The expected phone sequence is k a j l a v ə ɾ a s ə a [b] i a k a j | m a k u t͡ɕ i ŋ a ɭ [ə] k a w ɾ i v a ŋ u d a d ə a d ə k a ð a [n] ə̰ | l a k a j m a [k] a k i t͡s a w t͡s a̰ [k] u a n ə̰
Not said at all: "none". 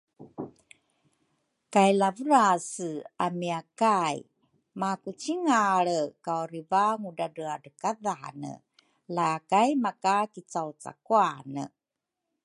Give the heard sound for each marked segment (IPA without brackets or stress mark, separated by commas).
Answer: m, ə, n, k, k